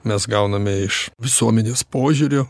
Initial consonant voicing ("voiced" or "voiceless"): voiced